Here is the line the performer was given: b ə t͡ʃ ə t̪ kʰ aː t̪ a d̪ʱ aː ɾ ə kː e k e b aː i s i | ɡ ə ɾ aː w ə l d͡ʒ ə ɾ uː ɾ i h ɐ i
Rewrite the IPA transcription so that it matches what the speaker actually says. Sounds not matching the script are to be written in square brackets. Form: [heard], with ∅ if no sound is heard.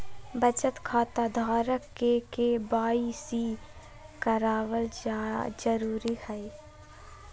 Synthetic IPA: b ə t͡ʃ ə t̪ kʰ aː t̪ a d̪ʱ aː ɾ ə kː e k e b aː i s i | [k] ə ɾ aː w ə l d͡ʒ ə ɾ uː ɾ i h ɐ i